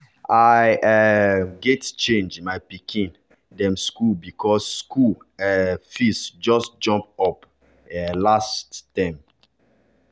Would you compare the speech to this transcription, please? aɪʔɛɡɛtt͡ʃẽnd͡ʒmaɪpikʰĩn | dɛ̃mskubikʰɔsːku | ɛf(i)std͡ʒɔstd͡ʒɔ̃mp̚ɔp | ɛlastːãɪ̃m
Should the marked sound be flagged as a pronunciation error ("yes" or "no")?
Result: no